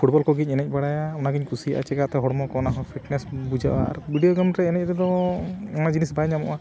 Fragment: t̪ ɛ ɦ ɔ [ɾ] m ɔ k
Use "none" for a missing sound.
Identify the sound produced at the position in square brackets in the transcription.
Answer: ɽ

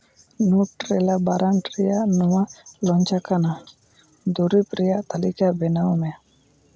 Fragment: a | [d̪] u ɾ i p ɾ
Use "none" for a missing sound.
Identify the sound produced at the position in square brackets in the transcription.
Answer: d̪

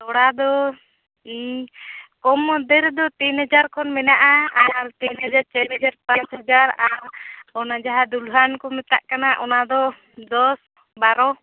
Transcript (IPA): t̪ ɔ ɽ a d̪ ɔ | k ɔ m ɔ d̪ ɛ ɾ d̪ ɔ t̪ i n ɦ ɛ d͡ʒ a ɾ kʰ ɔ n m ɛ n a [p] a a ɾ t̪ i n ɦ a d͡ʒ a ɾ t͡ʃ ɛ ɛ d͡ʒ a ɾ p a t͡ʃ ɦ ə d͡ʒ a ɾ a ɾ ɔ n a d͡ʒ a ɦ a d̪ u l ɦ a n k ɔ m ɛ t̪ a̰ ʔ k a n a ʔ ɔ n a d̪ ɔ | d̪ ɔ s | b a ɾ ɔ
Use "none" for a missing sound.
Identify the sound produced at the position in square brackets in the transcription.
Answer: ʔ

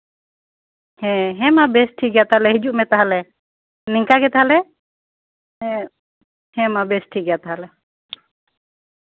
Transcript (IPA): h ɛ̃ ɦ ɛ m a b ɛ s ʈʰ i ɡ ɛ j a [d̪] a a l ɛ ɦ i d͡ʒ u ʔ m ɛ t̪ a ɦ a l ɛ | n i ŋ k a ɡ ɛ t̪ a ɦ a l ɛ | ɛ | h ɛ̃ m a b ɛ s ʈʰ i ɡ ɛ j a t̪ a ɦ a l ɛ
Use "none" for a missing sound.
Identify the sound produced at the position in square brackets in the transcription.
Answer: t̪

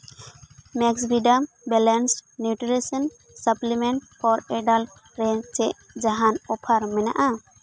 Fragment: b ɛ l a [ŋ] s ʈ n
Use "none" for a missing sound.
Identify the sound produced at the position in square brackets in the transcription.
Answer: n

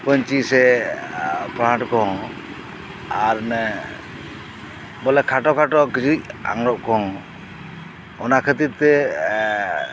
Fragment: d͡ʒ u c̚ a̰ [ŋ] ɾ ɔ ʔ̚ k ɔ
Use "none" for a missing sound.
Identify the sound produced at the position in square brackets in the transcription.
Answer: ŋ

